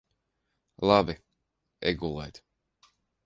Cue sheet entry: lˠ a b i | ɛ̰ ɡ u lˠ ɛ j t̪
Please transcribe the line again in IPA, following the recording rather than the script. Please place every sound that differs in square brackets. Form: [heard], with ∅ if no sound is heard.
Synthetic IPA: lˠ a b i | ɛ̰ ɡ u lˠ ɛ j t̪